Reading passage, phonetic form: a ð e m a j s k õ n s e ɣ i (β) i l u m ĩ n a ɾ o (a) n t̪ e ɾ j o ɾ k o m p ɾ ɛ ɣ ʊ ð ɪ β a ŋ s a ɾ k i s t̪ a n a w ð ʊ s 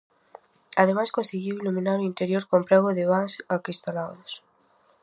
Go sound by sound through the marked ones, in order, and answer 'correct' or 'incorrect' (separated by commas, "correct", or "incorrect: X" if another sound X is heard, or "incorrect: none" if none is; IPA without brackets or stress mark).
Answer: incorrect: w, incorrect: i